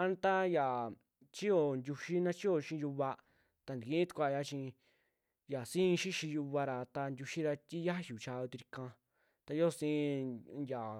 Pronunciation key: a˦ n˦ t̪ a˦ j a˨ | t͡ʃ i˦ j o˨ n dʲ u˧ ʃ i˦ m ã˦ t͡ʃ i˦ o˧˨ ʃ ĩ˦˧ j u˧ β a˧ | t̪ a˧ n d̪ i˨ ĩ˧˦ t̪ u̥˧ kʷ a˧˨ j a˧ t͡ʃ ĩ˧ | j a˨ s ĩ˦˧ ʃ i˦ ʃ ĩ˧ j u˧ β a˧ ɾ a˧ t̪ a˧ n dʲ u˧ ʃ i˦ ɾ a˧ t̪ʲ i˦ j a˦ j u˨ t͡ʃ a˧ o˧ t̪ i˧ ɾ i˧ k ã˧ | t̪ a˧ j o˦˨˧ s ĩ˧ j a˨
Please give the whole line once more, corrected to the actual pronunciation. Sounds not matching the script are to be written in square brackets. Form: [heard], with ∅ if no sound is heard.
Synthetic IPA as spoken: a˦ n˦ t̪ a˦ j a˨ | t͡ʃ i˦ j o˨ n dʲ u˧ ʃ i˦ [n] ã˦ t͡ʃ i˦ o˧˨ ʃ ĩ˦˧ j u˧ β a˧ | t̪ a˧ n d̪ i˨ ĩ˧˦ t̪ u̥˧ kʷ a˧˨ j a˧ t͡ʃ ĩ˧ | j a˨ s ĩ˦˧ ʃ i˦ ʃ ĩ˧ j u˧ β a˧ ɾ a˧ t̪ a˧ n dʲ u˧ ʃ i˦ ɾ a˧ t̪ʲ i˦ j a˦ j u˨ t͡ʃ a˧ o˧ t̪ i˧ ɾ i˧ k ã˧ | t̪ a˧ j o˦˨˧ s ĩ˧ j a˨